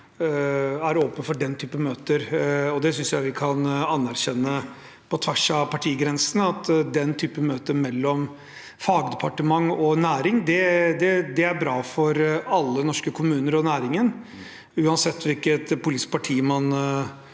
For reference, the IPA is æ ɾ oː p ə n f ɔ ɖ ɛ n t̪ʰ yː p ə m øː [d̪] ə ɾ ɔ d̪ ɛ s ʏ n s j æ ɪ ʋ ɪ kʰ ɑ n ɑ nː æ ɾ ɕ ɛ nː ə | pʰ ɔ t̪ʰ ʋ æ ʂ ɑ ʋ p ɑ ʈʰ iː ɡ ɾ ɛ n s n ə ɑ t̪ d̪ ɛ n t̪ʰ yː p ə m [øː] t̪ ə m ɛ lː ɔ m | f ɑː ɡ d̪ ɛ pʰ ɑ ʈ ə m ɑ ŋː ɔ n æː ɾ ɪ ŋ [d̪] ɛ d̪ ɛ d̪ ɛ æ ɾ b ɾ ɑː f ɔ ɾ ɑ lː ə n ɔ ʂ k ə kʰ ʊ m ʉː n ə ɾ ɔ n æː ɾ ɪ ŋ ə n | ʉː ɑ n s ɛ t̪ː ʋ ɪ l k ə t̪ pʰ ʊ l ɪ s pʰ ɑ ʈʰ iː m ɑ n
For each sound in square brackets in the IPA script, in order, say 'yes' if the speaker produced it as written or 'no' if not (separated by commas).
no, yes, yes